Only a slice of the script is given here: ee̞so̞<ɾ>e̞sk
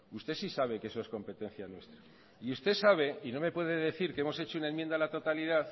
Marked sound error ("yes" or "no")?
yes